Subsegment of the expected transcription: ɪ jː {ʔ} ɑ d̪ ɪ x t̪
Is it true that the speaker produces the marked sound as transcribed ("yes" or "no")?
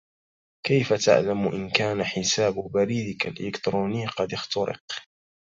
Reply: no